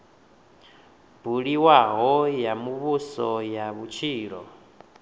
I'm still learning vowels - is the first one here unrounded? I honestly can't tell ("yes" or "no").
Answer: no